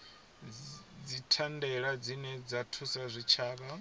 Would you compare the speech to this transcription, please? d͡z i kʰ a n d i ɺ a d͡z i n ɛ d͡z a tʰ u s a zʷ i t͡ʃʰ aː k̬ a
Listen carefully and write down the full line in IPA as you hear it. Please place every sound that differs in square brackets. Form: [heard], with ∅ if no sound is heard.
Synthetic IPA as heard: d͡z i [tʰ] a n d [ɛ] ɺ a d͡z i n ɛ d͡z a tʰ u s a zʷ i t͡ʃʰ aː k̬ a

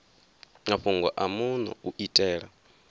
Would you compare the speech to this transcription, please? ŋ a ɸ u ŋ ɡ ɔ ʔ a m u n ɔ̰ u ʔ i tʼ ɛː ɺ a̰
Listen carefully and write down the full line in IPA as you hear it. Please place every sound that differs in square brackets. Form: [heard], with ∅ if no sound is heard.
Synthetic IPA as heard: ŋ a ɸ u ŋ ɡ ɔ ʔ a m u n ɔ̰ u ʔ i tʼ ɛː ɺ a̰

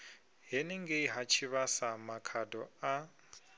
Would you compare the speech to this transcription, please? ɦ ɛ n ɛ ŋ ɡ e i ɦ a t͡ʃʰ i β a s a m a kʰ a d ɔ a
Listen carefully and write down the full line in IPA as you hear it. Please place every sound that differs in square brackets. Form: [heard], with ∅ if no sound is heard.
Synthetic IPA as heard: ɦ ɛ n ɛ ŋ ɡ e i ɦ a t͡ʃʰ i β a s a m a kʰ a d ɔ a

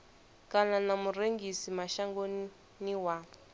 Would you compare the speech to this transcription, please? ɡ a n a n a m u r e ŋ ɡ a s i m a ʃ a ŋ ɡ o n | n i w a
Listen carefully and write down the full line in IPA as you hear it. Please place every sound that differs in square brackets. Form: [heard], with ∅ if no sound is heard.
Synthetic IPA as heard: [k] a n a n a m u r e ŋ ɡ [i] s i m a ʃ a ŋ ɡ o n | n i w a

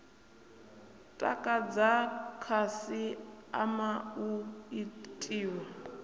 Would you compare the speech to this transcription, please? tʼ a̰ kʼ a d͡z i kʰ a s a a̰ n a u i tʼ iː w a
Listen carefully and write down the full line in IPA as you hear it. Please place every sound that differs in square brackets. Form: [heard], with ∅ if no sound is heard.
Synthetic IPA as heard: tʼ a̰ kʼ a d͡z [a] kʰ a s [i] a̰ [m] a u i tʼ iː w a

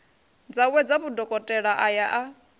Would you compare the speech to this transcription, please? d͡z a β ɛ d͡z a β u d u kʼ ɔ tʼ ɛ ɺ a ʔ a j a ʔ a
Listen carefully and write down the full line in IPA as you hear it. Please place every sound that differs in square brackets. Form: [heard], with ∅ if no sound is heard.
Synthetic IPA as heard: d͡z a [w] ɛ d͡z a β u d [ɔ] kʼ ɔ tʼ ɛ ɺ a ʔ a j a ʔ a

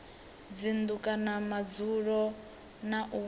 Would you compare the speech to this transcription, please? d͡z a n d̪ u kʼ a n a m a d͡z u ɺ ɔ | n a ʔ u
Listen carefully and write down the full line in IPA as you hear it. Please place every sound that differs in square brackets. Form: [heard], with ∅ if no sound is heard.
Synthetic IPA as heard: d͡z [i] n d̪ u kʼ a n a m a d͡z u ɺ ɔ | n a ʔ u

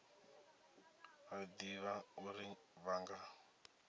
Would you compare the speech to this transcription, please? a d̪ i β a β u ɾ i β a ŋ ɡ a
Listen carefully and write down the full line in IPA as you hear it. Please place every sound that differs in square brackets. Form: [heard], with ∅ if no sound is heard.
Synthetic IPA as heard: a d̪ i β a [∅] u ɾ i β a ŋ ɡ a

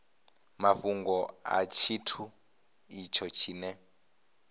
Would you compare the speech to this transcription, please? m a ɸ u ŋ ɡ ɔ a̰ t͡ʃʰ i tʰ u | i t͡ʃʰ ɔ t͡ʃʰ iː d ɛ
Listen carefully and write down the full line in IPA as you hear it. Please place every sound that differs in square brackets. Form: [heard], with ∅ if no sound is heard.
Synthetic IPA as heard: m a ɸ u ŋ ɡ ɔ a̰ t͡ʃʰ i tʰ u | i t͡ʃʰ ɔ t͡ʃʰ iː [n] ɛ

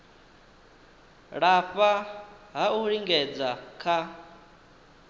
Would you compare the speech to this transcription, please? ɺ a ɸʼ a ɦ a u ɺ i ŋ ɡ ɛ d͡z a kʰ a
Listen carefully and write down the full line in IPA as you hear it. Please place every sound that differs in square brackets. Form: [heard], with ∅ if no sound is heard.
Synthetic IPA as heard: ɺ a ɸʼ a ɦ a u ɺ i ŋ ɡ ɛ d͡z a kʰ a

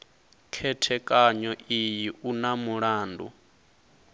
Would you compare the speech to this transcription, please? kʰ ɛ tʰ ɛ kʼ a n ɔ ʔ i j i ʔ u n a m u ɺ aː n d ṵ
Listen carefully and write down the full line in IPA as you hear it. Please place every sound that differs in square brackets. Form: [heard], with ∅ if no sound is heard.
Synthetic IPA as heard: kʰ ɛ tʰ ɛ kʼ a [ɲ] ɔ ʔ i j i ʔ u n a m u ɺ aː n d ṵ

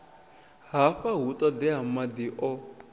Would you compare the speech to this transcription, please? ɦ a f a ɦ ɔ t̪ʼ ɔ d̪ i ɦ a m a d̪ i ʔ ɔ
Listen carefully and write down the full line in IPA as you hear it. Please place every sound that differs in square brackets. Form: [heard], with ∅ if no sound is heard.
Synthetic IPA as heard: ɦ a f a ɦ [u] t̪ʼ ɔ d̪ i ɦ a m a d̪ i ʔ ɔ

